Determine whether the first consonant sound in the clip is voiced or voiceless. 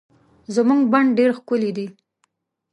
voiced